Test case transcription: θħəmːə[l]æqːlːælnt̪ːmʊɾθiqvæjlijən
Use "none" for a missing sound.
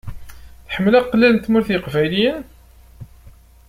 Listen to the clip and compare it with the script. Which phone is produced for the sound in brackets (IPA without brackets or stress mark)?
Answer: l